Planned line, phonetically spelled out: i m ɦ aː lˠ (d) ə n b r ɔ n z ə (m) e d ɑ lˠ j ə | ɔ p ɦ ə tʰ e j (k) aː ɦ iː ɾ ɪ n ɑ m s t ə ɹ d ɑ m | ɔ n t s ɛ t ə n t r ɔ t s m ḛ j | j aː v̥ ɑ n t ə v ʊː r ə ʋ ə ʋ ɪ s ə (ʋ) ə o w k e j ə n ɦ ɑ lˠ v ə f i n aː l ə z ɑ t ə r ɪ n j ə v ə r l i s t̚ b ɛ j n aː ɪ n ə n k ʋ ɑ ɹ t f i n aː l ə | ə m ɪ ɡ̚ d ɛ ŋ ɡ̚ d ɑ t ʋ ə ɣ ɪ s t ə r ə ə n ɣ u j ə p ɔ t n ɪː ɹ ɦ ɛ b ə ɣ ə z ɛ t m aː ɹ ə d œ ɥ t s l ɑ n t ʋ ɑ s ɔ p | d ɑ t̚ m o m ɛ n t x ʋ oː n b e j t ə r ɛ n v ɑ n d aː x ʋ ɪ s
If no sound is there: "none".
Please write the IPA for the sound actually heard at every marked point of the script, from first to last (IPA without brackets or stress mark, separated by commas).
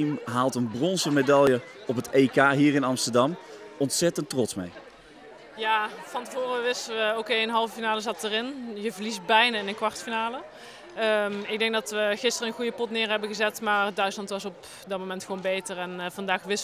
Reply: t, m, k, ʋ